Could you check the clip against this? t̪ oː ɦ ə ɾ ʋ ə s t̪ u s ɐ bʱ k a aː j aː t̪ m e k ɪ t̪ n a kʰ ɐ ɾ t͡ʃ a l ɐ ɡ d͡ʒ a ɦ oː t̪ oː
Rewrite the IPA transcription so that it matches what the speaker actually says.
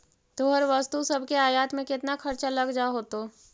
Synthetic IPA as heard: t̪ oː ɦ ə ɾ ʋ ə s t̪ u s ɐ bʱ k e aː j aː t̪ m ẽ k ɪ t̪ n a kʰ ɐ ɾ t͡ʃ a l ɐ ɡ d͡ʒ a ɦ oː t̪ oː